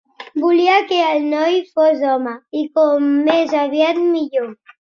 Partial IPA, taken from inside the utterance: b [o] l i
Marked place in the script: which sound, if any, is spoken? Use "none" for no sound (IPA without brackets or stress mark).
u